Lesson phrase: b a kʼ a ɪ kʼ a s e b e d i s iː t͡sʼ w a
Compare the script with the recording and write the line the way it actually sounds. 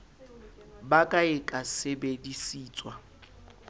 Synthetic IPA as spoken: b a kʼ a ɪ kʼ a s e b e d i s iː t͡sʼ w a